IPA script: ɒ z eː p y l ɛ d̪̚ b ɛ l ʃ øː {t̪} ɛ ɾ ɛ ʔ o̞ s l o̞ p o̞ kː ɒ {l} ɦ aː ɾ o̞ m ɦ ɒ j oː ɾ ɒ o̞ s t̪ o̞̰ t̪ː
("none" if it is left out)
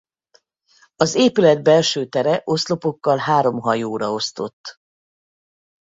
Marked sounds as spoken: t̪, l

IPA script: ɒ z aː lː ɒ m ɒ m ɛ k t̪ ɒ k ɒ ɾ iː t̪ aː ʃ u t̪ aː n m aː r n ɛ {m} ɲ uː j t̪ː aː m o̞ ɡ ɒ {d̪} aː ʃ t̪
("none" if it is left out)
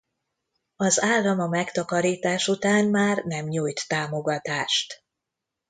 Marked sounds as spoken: m, t̪

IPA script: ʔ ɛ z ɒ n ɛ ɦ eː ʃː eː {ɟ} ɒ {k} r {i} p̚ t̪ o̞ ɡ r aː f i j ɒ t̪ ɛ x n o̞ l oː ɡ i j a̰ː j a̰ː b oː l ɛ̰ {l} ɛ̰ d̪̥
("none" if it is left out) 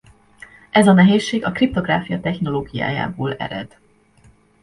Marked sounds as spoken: ɡ, k, i, ɾ

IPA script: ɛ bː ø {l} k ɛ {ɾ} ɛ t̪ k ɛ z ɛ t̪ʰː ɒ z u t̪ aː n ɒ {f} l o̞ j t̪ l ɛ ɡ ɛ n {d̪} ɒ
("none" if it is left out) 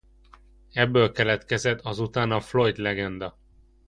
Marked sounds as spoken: l, l, f, d̪

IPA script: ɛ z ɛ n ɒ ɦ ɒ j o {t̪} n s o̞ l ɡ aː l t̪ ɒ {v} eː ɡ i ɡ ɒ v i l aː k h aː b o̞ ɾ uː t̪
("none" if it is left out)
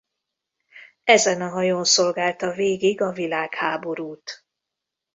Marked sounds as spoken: none, v

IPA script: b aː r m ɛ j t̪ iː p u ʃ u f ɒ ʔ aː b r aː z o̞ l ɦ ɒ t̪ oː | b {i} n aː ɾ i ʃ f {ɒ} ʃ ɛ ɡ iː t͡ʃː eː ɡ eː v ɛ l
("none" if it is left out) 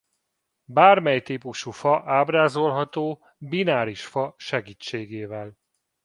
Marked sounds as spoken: i, ɒ

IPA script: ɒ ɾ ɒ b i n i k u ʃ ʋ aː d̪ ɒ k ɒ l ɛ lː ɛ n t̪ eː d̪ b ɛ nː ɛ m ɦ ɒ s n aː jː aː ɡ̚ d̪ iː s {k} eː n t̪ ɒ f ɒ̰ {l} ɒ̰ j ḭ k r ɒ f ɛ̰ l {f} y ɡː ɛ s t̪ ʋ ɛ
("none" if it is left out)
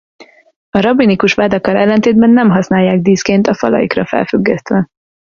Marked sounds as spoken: k, l, f

